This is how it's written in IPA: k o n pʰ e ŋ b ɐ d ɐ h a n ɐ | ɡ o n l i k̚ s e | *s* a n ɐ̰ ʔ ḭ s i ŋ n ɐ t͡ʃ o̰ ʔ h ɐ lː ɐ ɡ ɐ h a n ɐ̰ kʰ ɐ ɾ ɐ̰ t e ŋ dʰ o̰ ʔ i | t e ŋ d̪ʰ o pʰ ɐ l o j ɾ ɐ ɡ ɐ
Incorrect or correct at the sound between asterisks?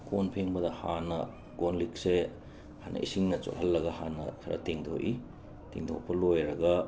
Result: incorrect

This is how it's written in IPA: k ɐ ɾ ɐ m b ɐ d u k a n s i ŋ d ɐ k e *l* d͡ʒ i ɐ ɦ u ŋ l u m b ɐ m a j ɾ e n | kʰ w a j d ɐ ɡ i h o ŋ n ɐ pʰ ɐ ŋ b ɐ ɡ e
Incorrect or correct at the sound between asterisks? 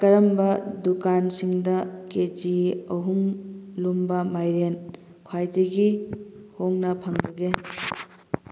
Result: incorrect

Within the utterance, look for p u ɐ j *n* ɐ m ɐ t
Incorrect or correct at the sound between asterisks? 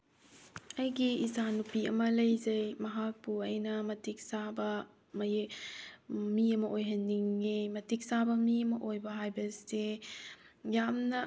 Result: correct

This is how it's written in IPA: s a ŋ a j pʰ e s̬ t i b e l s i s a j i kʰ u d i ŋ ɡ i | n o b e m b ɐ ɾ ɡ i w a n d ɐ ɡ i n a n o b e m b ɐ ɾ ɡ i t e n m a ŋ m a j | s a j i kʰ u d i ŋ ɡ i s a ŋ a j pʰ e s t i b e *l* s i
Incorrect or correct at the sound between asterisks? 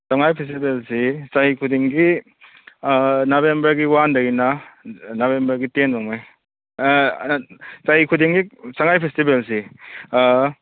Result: correct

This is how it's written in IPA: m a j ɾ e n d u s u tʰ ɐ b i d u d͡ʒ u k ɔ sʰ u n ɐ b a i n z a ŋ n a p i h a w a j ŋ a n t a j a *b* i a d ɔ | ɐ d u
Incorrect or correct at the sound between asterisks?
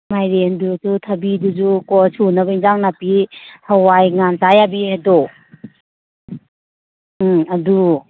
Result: correct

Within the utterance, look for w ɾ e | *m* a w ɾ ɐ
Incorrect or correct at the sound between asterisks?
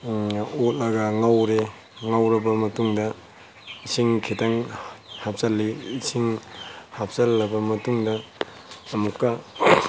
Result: incorrect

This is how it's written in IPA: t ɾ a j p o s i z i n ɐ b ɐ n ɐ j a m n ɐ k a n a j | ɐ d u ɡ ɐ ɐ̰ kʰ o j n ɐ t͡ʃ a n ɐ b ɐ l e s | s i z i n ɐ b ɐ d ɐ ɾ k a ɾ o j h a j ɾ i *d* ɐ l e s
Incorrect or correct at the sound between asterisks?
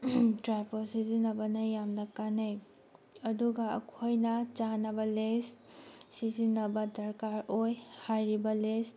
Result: incorrect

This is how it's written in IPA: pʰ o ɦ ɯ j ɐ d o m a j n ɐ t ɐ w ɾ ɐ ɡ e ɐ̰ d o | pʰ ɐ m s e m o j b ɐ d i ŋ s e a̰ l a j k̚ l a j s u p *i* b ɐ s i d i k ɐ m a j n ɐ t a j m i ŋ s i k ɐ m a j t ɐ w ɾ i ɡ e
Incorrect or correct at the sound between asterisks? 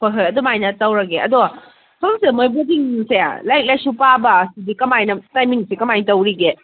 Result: incorrect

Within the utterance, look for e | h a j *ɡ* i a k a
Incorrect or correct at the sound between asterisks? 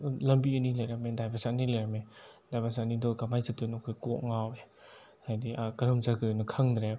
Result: incorrect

